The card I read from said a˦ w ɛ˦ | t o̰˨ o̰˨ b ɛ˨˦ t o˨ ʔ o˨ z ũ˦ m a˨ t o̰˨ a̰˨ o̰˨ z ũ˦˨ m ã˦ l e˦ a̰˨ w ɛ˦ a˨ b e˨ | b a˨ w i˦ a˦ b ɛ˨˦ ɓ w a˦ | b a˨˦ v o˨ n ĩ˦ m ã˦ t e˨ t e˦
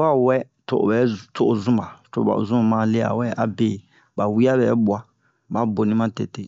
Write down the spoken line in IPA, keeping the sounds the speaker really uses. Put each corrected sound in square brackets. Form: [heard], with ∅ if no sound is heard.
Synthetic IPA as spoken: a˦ w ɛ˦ | t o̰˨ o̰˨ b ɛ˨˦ t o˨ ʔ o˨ z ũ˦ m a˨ t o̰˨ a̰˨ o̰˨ z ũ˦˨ m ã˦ l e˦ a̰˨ w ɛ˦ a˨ b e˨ | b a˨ w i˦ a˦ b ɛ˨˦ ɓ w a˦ | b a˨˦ [b] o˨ n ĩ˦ m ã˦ t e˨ t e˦